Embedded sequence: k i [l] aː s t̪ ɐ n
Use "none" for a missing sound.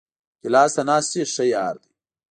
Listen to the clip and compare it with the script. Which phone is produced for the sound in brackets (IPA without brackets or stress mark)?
l